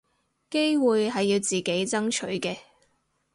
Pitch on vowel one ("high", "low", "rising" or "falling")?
high